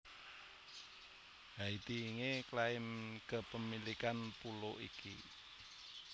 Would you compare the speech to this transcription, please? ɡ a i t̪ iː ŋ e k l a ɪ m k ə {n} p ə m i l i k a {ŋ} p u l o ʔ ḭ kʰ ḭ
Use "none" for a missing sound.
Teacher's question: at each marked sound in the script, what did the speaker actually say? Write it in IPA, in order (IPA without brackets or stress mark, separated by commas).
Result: none, n